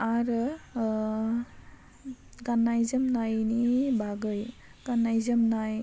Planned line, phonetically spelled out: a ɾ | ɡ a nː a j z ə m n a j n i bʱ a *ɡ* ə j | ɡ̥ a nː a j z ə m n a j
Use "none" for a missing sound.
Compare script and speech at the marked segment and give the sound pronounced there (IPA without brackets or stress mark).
ɡ